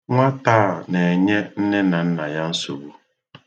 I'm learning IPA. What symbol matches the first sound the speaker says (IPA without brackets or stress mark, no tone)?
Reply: ŋʷ